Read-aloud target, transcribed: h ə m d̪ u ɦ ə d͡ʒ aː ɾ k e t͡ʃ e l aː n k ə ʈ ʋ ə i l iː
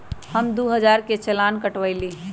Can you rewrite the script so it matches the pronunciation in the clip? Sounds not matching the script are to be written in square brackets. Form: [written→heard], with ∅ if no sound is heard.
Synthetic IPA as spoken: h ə m d̪ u ɦ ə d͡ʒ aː ɾ k e t͡ʃ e l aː n k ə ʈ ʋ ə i l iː